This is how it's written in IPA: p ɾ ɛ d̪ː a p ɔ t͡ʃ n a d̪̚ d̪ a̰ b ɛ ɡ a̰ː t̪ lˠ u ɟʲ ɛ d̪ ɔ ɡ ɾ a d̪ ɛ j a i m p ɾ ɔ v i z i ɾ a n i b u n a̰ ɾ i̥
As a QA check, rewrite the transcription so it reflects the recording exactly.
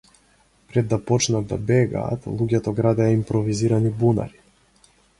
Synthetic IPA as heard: p ɾ ɛ d̪ː a p ɔ t͡ʃ n a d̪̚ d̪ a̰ b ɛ ɡ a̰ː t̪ lˠ u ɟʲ ɛ t̪ ɔ ɡ ɾ a d̪ ɛ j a i m p ɾ ɔ v i z i ɾ a n i b u n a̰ ɾ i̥